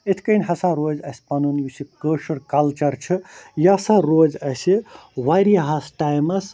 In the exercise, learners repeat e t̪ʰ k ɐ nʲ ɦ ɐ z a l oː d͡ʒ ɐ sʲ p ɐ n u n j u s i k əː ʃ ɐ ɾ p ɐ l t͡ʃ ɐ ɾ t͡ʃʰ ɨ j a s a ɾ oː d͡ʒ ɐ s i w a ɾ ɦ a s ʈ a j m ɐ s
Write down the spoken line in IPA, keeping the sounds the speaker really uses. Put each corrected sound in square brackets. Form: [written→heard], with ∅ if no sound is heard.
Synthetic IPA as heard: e t̪ʰ k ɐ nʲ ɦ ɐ [z→s] a [l→ɾ] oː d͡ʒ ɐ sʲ p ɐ n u n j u s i k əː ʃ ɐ ɾ [p→k] ɐ l t͡ʃ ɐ ɾ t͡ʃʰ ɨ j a s a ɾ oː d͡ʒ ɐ s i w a ɾ ɦ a s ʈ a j m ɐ s